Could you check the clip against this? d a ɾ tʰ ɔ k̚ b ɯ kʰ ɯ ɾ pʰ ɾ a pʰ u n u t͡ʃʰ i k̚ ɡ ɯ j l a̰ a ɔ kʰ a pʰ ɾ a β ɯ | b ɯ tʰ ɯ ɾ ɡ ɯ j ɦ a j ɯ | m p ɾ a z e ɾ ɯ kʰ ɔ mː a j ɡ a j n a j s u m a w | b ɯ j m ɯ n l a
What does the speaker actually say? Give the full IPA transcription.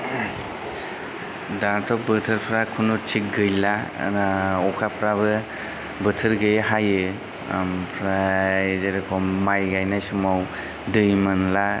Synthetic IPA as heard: d a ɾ tʰ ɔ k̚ b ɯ tʰ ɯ ɾ pʰ ɾ a kʰ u n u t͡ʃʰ i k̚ ɡ ɯ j l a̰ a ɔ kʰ a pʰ ɾ a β ɯ | b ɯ tʰ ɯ ɾ ɡ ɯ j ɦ a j ɯ | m pʰ ɾ a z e ɾ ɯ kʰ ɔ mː a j ɡ a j n a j s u m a w | d ɯ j m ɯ n l a